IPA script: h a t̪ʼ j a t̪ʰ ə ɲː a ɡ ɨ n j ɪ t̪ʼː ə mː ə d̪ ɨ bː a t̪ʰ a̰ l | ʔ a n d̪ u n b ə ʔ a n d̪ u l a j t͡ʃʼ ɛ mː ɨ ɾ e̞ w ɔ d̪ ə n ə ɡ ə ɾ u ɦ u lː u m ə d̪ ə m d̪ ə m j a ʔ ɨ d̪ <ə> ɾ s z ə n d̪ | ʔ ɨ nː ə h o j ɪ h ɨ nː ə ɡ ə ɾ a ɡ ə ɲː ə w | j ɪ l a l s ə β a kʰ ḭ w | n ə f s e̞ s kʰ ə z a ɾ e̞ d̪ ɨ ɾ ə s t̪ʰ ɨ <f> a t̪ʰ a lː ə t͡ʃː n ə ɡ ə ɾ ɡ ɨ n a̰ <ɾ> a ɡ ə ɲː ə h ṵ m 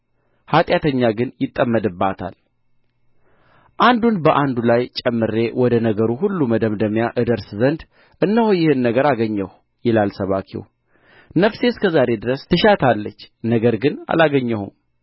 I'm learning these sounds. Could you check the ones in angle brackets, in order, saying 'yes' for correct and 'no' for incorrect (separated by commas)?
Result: yes, no, no